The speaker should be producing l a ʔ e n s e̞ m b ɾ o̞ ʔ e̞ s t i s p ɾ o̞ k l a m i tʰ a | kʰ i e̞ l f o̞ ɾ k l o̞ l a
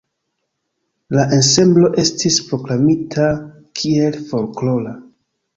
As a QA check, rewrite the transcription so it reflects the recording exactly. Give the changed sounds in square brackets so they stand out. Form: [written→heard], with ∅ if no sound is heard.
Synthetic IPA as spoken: l a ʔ e n s e̞ m b [ɾ→l] o̞ ʔ e̞ s t i s p ɾ o̞ k l a m i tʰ a | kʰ i e̞ l f o̞ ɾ k l o̞ l a